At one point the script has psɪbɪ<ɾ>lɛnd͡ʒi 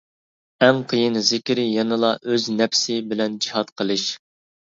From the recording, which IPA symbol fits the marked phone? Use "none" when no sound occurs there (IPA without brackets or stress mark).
none